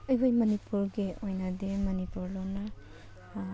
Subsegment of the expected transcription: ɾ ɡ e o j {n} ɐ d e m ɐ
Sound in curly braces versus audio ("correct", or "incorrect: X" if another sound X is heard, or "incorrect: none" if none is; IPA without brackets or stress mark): correct